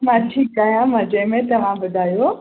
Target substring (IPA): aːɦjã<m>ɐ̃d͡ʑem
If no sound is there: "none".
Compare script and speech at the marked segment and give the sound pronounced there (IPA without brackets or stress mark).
m